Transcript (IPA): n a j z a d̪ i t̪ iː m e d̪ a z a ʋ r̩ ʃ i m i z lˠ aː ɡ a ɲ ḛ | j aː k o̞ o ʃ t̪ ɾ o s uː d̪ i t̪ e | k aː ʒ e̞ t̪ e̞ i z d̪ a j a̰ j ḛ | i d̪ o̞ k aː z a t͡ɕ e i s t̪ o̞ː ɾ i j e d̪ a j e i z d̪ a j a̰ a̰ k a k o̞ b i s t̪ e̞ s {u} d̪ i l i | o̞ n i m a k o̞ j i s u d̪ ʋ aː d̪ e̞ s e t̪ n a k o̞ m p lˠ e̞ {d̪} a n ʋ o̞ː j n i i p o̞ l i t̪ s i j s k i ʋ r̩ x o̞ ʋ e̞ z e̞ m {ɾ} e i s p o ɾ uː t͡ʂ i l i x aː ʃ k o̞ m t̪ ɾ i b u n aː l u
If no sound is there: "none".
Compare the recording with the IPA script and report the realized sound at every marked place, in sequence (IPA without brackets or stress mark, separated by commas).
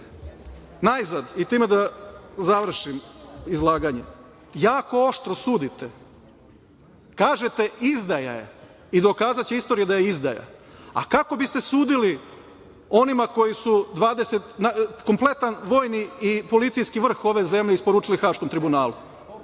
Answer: uː, t̪, ʎ